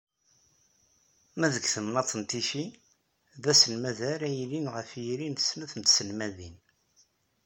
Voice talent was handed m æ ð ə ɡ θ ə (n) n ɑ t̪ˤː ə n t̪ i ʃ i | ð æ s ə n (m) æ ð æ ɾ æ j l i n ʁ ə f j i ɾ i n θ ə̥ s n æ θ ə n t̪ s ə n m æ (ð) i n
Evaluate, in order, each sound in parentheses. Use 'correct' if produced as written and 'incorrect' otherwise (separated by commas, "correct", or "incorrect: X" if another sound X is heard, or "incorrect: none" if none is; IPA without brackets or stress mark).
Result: incorrect: m, correct, correct